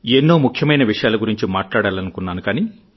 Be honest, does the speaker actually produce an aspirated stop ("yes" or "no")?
yes